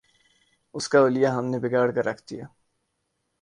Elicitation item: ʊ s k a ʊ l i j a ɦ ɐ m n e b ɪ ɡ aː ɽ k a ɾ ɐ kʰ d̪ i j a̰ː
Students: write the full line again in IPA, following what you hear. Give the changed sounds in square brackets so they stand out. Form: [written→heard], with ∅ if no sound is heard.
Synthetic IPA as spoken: ʊ s k a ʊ l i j a ɦ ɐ m n e b ɪ ɡ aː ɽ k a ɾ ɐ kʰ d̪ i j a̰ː